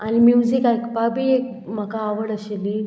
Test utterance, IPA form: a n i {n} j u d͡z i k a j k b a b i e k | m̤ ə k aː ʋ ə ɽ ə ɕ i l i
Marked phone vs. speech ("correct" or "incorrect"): incorrect